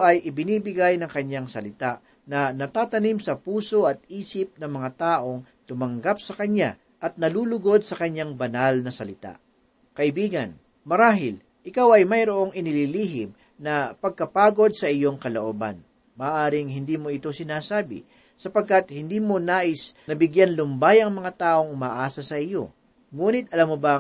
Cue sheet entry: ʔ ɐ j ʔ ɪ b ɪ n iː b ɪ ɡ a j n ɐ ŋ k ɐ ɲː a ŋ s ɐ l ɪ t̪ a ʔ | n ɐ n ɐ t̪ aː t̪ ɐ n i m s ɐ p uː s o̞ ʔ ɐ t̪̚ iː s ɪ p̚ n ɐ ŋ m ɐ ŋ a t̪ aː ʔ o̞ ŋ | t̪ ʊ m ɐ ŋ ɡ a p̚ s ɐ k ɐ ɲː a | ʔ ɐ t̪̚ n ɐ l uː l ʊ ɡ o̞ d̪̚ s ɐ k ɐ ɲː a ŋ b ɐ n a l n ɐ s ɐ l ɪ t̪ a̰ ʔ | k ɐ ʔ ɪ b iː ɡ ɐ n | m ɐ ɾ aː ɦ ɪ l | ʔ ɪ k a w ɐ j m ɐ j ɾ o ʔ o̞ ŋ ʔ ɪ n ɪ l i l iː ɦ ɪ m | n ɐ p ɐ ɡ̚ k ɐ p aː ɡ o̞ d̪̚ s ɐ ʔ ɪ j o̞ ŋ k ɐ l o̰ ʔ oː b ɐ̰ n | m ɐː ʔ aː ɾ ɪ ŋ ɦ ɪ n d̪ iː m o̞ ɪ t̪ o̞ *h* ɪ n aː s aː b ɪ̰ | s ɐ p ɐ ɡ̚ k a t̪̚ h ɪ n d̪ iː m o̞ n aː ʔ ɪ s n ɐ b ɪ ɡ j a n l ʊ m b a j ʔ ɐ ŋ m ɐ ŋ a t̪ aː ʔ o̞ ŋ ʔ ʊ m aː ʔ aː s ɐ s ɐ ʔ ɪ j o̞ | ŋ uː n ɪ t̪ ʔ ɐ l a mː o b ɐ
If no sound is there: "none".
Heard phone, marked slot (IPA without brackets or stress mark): s